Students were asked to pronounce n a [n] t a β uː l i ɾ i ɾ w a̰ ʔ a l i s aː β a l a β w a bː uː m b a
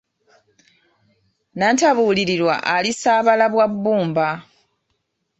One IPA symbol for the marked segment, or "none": n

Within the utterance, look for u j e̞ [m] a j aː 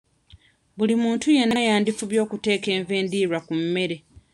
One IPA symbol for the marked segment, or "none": n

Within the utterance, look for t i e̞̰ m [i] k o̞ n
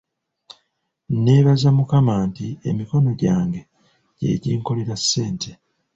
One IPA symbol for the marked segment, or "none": i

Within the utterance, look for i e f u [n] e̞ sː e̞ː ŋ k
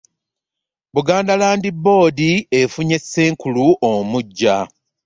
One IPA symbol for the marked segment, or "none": ɲ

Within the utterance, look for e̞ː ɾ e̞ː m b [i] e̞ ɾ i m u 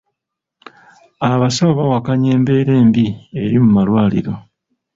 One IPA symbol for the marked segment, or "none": i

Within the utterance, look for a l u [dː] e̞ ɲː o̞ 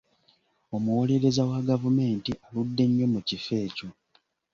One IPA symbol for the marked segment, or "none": dː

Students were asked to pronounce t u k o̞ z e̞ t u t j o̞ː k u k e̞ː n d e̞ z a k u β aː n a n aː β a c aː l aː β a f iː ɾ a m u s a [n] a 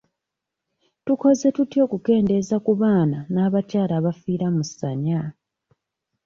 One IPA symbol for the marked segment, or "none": ɲ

